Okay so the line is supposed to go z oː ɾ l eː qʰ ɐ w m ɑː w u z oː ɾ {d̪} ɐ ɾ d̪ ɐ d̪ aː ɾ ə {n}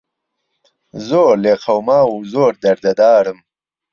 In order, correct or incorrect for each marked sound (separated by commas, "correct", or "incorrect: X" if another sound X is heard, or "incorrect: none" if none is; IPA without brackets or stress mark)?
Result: correct, incorrect: m